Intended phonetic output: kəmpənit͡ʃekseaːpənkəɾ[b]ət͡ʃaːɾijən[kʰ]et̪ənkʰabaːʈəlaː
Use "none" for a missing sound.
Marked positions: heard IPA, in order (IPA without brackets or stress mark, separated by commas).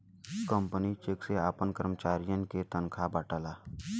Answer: m, k